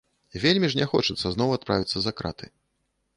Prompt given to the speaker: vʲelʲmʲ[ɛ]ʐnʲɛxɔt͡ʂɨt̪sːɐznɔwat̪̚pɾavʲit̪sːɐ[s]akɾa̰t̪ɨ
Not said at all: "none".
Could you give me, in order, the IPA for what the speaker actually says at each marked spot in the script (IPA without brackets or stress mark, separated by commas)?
i, z